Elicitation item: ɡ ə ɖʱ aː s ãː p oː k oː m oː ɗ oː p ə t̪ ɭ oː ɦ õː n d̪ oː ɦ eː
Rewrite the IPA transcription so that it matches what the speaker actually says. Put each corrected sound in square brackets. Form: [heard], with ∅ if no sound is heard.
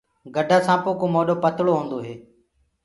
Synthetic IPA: ɡ ə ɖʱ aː s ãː p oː k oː m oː ɗ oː p ə t̪ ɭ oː ɦ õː n d̪ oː ɦ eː